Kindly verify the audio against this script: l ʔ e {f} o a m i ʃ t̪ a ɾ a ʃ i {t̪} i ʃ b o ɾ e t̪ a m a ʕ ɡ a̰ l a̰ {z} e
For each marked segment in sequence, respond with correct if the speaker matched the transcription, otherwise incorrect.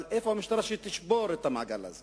correct, correct, correct

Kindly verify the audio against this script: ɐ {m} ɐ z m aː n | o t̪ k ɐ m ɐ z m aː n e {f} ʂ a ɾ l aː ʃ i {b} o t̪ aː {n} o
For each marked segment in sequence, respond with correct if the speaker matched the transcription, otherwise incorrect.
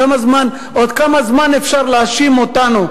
correct, correct, incorrect: m, correct

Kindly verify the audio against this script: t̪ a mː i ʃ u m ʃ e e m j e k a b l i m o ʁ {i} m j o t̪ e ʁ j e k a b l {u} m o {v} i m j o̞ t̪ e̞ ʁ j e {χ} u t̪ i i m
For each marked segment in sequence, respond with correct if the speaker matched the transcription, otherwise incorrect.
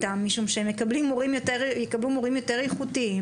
correct, correct, incorrect: ʁ, correct

